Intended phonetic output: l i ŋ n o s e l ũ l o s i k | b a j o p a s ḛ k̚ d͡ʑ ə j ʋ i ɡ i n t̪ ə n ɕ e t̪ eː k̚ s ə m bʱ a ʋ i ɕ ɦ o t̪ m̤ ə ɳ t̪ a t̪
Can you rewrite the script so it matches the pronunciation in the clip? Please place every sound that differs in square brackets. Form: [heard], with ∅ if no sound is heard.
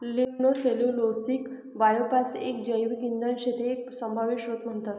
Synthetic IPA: l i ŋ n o s e l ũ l o s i k | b a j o p a s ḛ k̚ d͡ʑ ə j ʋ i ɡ i n [d̪] ə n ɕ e t̪ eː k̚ s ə m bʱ a ʋ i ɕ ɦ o t̪ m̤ ə ɳ t̪ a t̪

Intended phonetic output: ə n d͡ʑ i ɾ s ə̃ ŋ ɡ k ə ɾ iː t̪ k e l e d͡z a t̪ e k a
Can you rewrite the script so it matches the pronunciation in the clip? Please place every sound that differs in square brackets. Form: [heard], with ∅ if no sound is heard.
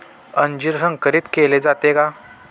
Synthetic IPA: ə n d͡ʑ i ɾ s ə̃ ŋ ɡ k ə ɾ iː t̪ k e l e d͡z a t̪ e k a

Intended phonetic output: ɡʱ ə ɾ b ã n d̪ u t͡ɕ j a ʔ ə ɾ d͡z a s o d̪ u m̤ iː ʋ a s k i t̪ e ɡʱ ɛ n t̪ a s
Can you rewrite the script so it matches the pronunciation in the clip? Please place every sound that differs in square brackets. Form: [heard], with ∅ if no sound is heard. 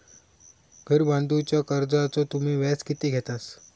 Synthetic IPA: ɡʱ ə ɾ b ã n d̪ u t͡ɕ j a [k] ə ɾ d͡z a [t͡s] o [t̪] u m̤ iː ʋ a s k i t̪ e ɡʱ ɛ [∅] t̪ a s

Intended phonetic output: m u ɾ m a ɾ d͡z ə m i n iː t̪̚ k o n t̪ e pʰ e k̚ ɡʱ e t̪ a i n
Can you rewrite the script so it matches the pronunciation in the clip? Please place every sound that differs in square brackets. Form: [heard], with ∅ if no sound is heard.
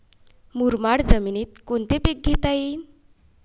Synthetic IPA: m u ɾ m a [ɽ] d͡z ə m i n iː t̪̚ k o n t̪ e [p] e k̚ ɡʱ e t̪ a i n

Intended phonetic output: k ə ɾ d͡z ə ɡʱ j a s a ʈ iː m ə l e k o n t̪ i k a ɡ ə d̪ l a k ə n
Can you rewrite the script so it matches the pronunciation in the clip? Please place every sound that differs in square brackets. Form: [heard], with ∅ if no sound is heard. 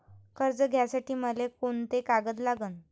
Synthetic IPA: k ə ɾ d͡z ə ɡʱ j a s a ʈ iː m ə l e k o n t̪ [e] k a ɡ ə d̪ l a [ɡ] ə n

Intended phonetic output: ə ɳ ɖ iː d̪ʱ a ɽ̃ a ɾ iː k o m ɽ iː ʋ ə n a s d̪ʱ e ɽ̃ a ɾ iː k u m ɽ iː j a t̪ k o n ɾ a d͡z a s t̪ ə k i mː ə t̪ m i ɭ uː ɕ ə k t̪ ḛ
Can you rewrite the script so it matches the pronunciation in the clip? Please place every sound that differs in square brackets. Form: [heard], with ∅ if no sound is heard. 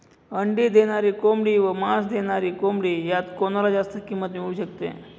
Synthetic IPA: ə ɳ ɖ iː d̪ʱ [e] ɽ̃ a ɾ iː k o m ɽ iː ʋ ə [m] a s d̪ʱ e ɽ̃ a ɾ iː k [o] m ɽ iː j a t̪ k o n ɾ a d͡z a s t̪ ə k i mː ə t̪ m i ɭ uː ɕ ə k t̪ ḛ

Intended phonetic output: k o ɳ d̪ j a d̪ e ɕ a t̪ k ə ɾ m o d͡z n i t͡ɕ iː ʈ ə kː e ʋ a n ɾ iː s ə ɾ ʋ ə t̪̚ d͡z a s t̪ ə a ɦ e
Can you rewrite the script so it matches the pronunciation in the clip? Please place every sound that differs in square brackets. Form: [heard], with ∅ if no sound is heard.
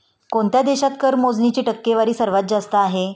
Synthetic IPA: k o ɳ [t̪] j a d̪ e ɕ a t̪ k ə ɾ m o d͡z n i t͡ɕ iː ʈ ə kː e ʋ a [∅] ɾ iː s ə ɾ ʋ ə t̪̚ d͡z a s t̪ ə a ɦ e

